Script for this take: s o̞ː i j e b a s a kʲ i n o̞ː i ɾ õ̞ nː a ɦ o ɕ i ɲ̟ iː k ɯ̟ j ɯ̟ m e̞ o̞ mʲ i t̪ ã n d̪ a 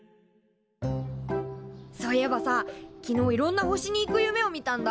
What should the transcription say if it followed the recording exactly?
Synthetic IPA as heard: s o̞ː i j e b a s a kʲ i n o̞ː i ɾ õ̞ nː a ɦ o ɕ i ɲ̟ iː k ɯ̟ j ɯ̟ m e̞ o̞ mʲ i t̪ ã n d̪ a